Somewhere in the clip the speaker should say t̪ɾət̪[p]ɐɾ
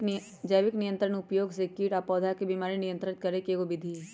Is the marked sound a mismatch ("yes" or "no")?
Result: yes